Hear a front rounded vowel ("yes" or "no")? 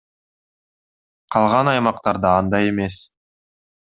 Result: no